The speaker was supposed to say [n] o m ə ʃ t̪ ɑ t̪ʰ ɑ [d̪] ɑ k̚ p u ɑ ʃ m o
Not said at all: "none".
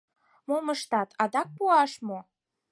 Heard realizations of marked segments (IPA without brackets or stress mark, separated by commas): m, d̪